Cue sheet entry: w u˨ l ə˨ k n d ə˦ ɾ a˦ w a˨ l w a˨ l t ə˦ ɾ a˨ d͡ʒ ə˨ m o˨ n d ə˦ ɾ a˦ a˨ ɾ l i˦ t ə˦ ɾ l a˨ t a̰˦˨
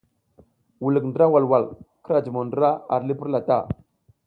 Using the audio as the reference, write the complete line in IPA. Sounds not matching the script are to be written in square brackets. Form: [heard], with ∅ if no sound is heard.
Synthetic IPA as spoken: w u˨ l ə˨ k n d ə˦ ɾ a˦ w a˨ l w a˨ l [k] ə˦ ɾ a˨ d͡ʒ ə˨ m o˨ n d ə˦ ɾ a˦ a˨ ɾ l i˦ [p] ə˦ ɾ l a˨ t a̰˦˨